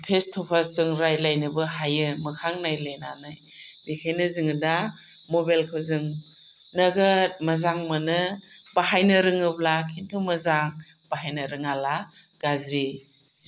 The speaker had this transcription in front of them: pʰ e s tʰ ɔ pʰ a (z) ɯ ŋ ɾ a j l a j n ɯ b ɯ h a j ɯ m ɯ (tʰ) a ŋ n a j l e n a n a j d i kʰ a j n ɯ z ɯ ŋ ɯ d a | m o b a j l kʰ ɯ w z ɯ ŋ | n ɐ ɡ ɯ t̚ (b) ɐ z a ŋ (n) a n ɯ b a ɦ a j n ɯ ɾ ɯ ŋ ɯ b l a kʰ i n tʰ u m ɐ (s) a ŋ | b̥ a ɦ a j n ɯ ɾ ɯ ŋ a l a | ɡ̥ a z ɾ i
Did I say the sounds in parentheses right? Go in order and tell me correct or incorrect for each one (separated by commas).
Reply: incorrect, incorrect, incorrect, incorrect, incorrect